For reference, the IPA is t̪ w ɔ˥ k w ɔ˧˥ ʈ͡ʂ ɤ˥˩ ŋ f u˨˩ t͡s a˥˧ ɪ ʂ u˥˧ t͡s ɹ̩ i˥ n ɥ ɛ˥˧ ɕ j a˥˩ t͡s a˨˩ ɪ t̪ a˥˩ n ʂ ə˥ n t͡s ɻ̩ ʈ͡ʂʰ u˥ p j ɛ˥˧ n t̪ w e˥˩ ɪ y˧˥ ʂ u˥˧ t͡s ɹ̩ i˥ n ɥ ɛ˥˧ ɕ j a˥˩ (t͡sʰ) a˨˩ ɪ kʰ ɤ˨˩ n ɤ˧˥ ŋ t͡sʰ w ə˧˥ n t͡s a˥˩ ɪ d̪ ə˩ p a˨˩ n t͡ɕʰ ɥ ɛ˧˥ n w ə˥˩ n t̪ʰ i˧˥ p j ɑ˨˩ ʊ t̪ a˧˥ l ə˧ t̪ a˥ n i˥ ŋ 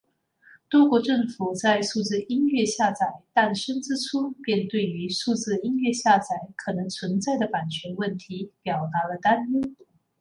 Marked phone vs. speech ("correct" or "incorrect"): incorrect